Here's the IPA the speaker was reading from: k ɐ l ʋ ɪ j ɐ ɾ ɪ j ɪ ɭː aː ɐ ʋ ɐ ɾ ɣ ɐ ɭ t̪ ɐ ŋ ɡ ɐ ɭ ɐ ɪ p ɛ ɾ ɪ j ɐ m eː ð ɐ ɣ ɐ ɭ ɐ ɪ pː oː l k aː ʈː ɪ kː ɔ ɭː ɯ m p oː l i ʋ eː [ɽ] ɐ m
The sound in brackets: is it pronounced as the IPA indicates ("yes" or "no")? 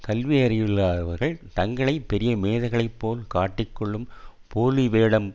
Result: yes